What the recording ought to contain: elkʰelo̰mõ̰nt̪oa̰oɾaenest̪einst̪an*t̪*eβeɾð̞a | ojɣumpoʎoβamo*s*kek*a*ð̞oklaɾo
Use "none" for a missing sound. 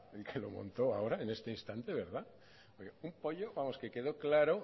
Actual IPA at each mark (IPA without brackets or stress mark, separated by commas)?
t̪, s, e